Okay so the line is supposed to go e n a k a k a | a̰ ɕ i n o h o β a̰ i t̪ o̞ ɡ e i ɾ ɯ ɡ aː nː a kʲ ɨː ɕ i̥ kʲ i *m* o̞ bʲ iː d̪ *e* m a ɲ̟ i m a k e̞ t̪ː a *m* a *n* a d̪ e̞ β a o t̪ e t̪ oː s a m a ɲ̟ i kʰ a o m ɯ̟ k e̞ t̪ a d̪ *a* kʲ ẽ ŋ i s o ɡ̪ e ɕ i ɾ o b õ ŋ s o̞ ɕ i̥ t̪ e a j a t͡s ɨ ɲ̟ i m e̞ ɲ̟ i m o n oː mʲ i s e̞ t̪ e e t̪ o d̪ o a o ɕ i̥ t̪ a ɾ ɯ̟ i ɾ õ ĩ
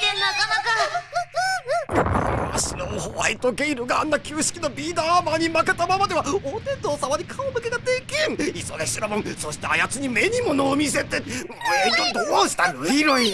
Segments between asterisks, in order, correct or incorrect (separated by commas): incorrect, incorrect, correct, incorrect, incorrect